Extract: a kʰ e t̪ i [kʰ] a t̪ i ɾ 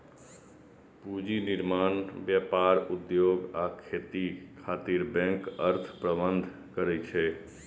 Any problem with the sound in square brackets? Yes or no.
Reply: no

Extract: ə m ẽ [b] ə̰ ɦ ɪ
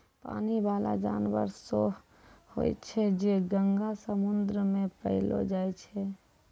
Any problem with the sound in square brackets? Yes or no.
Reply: yes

